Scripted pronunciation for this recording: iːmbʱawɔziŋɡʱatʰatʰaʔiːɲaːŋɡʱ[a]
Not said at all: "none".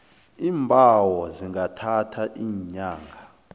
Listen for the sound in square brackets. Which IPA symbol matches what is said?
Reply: a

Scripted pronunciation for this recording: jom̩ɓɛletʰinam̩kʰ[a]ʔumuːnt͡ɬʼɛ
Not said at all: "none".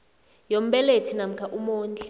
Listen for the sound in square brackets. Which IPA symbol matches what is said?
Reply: a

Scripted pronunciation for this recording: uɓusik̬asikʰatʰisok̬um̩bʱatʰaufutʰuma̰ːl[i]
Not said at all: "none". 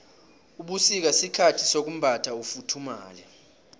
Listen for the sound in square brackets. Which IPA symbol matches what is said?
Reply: ɛ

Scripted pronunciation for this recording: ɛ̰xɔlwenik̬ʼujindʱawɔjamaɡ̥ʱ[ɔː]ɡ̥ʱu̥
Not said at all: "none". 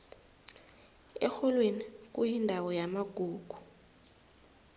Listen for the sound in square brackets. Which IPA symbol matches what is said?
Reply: uː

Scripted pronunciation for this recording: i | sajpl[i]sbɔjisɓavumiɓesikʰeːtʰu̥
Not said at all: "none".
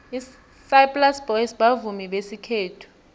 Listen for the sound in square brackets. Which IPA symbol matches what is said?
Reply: a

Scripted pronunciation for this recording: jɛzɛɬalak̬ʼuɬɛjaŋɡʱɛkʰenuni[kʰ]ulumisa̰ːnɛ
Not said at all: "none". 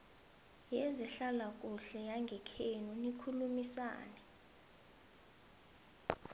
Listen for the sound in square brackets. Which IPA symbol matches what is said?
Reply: kʰ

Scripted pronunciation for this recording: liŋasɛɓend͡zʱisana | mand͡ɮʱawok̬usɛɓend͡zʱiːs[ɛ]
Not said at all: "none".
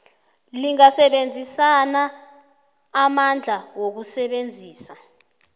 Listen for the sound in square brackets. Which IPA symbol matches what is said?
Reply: a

